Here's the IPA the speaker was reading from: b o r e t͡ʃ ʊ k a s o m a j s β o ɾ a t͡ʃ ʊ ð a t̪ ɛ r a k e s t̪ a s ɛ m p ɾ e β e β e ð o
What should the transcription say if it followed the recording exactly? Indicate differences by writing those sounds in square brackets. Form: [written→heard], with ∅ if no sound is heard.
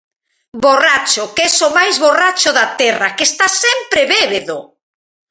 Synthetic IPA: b o r [e→a] t͡ʃ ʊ k [a→ɛ] s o m a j [s→z] β o [ɾ→r] a t͡ʃ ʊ ð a t̪ ɛ r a k e s t̪ a s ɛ m p ɾ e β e β e ð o

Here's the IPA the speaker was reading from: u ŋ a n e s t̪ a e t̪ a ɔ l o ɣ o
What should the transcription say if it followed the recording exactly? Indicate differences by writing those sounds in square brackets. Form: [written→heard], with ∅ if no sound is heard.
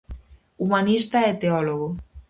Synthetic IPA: u [ŋ→m] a n [e→i] s t̪ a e t̪ [a→e] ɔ l o ɣ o

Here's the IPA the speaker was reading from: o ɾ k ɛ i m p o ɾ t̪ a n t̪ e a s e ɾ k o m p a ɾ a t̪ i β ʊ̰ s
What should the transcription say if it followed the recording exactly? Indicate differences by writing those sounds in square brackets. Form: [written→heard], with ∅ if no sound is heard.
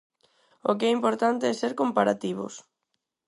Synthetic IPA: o [ɾ→∅] k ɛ i m p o ɾ t̪ a n t̪ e [a→ɛ] s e ɾ k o m p a ɾ a t̪ i β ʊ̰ s

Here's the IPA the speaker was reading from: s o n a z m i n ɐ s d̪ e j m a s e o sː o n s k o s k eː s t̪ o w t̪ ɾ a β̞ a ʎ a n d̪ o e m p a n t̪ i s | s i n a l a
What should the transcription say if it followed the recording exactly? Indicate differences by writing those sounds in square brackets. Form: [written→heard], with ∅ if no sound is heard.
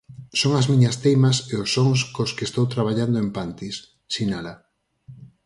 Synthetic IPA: s o [n→ŋ] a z m i [n→ɲ] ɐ s [d̪→t̪] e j m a s e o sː o [n→ŋ] s k o s k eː s t̪ o w t̪ ɾ a β̞ a ʎ a n d̪ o e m p a n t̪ i s | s i n a l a

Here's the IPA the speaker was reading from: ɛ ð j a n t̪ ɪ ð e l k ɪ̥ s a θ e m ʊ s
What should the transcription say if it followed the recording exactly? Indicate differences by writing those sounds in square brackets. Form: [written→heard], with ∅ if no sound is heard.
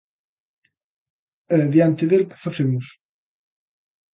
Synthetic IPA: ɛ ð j a n t̪ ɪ ð e l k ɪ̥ [s→f] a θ e m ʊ s

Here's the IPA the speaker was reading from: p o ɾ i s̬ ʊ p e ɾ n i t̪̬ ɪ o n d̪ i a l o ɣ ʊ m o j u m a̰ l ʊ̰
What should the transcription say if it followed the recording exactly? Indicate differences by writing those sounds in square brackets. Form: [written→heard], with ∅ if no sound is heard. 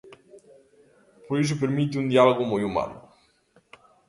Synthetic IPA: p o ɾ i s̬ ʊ p e ɾ [n→m] i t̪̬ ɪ [o→u] n d̪ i a l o ɣ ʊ m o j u m a̰ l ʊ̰

